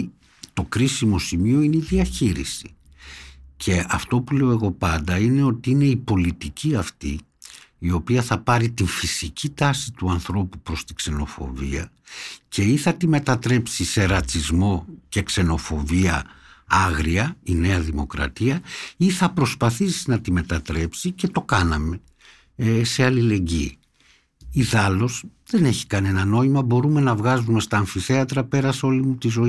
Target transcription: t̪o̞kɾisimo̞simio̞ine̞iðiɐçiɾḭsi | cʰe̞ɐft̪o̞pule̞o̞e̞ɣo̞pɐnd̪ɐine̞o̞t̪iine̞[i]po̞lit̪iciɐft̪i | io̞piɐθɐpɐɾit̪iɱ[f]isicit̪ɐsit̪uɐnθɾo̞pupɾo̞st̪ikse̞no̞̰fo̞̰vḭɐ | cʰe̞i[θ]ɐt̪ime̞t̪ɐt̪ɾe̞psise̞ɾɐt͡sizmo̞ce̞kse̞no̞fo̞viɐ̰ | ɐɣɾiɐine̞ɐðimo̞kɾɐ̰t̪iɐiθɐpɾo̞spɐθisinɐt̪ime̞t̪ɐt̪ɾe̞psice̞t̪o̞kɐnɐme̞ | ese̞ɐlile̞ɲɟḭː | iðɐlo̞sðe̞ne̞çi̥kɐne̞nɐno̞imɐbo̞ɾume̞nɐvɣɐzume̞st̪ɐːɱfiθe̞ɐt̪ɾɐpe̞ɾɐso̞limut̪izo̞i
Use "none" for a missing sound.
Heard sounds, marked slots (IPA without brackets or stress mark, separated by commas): i, f, θ